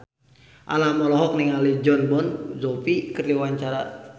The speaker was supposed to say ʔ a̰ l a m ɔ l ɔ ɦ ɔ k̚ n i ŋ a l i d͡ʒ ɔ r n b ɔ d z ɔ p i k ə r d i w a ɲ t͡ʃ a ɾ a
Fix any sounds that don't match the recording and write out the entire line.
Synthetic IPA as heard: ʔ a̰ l a m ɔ l ɔ ɦ ɔ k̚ n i ŋ a l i d͡ʒ ɔ n b ɔ n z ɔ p i k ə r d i w a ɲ t͡ʃ a ɾ a